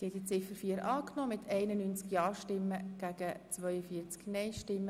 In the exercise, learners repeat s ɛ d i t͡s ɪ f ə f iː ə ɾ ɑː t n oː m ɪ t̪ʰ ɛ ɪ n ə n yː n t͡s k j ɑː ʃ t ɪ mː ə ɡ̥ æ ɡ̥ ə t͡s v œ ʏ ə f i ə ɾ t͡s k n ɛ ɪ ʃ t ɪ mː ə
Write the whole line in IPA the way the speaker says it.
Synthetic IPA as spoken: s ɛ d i t͡s ɪ f ə f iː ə ɾ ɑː k n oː m ɪ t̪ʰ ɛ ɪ n ə n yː n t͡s k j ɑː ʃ t ɪ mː ə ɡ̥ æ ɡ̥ ə t͡s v œ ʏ ə f i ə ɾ t͡s k n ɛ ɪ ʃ t ɪ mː ə